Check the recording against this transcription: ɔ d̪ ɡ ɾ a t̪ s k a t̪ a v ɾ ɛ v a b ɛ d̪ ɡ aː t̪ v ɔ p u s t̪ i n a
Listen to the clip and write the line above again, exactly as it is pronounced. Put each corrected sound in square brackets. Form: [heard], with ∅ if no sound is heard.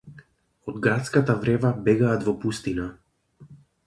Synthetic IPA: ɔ d̪ ɡ ɾ a t̪ s k a t̪ a v ɾ ɛ v a b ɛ [∅] ɡ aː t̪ v ɔ p u s t̪ i n a